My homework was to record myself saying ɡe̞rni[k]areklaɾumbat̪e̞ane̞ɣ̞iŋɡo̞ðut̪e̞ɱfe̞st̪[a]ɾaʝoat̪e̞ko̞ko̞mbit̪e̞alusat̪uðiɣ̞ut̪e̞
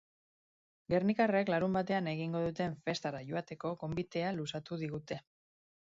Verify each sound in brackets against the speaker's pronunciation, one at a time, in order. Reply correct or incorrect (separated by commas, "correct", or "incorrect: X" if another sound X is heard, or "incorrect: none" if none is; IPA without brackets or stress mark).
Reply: correct, correct